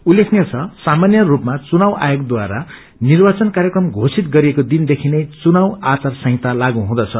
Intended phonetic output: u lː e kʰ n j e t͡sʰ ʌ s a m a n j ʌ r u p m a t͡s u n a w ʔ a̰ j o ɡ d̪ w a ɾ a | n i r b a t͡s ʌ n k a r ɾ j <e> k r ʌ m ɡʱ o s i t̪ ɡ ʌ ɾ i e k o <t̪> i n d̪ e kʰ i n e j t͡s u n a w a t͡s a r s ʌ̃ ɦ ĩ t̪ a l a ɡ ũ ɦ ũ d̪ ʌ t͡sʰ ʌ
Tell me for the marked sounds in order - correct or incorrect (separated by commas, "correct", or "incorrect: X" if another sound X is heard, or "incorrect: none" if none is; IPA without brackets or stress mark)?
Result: correct, incorrect: d̪